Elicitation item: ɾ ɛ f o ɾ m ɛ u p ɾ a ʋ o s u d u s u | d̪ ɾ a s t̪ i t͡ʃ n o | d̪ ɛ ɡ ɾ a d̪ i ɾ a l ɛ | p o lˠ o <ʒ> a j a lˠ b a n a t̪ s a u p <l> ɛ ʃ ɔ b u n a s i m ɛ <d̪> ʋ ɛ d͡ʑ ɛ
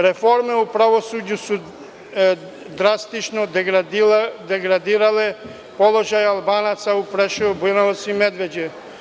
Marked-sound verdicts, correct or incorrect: correct, incorrect: ɾ, correct

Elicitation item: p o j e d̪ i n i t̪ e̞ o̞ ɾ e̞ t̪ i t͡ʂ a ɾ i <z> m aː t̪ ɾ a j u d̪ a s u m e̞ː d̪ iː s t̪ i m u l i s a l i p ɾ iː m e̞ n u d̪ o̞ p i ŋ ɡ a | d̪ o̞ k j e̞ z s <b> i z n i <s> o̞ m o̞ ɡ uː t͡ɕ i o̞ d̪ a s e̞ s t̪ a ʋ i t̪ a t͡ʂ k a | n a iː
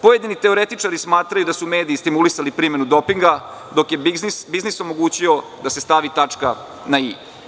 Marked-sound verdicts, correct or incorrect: incorrect: s, correct, correct

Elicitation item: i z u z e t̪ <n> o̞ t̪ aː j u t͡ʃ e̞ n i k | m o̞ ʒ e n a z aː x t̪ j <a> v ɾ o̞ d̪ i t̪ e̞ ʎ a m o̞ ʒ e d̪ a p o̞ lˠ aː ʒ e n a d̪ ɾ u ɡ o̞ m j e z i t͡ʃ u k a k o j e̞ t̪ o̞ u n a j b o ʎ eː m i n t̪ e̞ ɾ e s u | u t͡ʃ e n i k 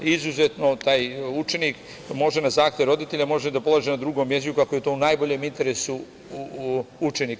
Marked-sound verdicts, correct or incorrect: correct, incorrect: e

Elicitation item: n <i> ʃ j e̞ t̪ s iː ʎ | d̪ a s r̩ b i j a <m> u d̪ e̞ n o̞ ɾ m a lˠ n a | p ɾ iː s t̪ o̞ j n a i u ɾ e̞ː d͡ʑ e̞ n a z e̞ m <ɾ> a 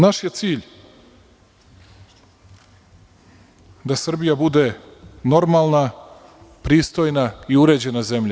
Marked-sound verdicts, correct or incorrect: incorrect: a, incorrect: b, incorrect: ʎ

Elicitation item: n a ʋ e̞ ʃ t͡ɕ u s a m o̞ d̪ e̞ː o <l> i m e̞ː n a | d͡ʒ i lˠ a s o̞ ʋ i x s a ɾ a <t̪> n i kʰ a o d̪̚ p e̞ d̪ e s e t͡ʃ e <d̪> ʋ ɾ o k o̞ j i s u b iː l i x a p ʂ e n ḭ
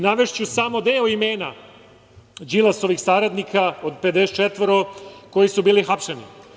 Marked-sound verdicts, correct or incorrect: incorrect: none, incorrect: d̪, incorrect: t̪

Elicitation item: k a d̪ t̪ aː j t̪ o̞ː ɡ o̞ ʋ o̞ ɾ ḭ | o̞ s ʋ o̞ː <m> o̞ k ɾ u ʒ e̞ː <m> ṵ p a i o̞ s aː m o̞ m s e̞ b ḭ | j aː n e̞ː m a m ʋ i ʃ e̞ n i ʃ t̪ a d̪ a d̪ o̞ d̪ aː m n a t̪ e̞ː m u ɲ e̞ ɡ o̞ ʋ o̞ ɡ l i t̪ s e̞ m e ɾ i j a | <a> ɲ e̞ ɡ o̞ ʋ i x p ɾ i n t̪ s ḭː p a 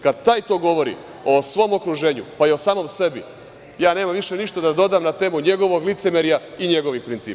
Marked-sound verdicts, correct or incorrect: correct, incorrect: ɲ, incorrect: i

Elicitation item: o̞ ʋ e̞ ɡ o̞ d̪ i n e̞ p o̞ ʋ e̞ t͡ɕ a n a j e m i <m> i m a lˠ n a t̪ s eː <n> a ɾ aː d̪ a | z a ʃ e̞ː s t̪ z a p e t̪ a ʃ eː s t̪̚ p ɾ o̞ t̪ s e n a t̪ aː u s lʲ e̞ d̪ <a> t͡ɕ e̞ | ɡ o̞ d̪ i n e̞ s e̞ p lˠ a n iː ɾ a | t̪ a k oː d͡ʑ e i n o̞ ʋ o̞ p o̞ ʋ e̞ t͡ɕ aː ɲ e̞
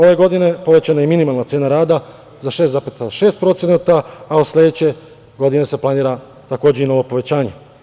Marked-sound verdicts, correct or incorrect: incorrect: n, correct, incorrect: e

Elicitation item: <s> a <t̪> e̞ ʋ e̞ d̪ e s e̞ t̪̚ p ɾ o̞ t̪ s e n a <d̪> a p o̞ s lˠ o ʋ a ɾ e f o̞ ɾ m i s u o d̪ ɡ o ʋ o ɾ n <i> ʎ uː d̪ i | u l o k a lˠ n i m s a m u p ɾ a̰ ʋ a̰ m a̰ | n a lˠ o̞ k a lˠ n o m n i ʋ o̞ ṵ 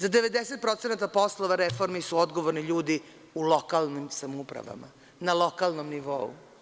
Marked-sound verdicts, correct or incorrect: incorrect: z, incorrect: d̪, incorrect: t̪, correct

